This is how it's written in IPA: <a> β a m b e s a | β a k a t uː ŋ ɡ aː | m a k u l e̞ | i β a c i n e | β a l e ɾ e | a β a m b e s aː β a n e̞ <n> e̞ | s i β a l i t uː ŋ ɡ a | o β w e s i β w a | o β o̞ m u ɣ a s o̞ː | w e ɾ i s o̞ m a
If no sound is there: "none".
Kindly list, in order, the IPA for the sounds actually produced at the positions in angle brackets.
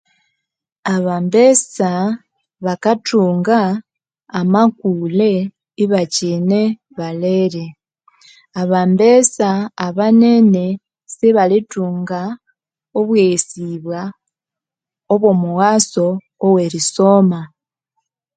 a, n

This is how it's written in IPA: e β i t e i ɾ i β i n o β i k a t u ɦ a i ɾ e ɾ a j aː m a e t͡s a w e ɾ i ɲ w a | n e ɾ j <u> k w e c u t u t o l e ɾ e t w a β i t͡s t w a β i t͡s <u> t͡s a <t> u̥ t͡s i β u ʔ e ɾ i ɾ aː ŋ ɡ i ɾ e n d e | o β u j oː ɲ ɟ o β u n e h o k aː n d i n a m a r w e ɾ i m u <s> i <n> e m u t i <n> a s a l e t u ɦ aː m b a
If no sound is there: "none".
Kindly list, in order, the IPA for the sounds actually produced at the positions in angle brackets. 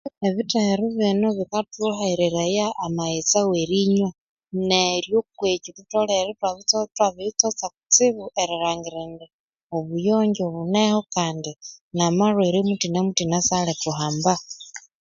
o, o, k, t, n, n

